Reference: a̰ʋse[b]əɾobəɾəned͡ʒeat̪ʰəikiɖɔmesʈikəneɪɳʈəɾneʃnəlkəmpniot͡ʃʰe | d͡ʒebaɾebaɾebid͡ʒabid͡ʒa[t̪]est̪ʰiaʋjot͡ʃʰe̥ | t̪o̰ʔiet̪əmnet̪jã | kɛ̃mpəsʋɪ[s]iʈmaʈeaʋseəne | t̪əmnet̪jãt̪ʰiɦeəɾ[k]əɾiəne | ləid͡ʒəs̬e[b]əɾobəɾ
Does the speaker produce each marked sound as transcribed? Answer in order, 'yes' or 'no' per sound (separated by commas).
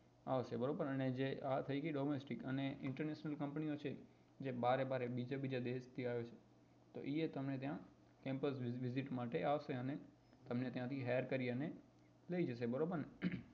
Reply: yes, no, no, yes, yes